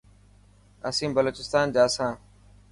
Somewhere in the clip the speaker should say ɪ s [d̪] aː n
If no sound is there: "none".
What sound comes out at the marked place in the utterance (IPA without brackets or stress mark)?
t̪